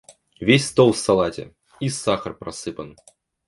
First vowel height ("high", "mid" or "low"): mid